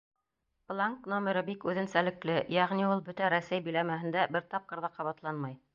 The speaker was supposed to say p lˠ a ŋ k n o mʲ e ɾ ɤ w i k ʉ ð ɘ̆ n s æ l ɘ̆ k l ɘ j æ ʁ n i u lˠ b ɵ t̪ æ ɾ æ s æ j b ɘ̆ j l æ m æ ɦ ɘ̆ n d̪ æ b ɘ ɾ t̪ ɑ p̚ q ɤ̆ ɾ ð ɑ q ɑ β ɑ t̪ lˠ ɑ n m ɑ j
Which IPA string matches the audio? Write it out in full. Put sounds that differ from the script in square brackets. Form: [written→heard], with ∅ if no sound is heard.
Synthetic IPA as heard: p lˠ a ŋ k n o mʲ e ɾ ɤ [w→b] i k ʉ ð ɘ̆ n s æ l ɘ̆ k l ɘ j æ ʁ n i u lˠ b ɵ t̪ æ ɾ æ s æ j b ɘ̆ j l æ m æ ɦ ɘ̆ n d̪ æ b ɘ ɾ t̪ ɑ p̚ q ɤ̆ ɾ ð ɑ q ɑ β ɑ t̪ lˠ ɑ n m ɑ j